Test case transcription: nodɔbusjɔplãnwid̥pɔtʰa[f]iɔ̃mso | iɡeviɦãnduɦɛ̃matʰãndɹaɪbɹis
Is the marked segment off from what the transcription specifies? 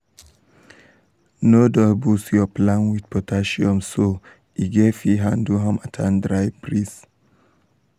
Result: yes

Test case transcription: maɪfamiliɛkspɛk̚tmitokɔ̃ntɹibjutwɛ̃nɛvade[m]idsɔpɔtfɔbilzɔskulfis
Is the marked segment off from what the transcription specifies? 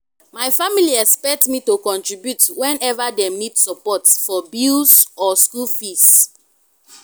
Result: no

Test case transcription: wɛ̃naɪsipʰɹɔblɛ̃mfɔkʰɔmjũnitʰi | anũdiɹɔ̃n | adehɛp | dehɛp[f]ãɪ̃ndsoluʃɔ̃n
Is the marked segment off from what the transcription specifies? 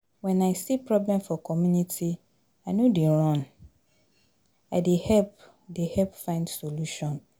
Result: no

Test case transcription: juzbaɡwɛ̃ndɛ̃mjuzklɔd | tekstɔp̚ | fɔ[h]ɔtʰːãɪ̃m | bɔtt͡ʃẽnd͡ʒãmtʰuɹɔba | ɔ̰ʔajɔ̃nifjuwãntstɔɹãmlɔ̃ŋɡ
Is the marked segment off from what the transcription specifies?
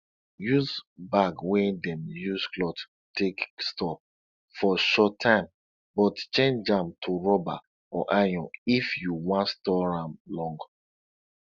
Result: yes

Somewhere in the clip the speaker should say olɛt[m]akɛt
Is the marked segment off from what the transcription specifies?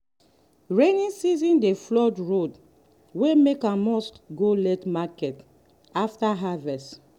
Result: no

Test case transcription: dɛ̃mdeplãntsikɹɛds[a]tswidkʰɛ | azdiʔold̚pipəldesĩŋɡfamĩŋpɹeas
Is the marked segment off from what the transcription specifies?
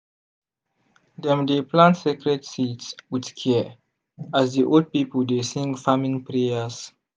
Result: yes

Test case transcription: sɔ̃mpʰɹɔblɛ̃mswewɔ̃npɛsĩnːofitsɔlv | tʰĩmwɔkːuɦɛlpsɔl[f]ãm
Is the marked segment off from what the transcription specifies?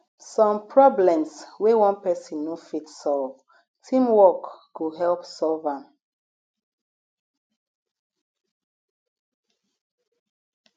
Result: yes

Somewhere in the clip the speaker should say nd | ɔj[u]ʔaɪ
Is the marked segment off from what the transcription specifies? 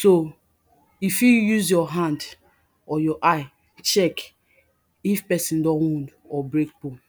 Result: yes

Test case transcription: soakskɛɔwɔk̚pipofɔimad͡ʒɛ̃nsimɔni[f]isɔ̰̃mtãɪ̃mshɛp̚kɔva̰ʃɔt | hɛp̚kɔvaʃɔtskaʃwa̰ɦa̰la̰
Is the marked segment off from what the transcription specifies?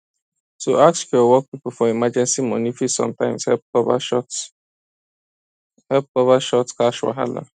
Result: no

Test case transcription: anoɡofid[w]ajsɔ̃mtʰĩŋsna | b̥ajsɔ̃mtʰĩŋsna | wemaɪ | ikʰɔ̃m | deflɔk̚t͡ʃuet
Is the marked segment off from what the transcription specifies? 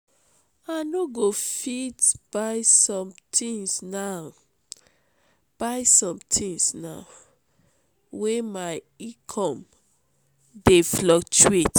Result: yes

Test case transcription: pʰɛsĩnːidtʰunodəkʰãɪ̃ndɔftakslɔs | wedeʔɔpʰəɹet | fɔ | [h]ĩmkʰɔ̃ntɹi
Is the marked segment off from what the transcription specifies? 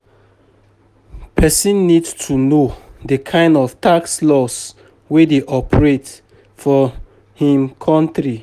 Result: no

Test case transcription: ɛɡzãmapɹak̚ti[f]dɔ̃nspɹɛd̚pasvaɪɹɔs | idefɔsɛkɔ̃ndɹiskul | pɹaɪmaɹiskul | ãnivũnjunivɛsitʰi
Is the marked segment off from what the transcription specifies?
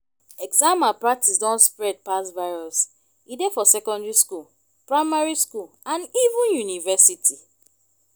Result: yes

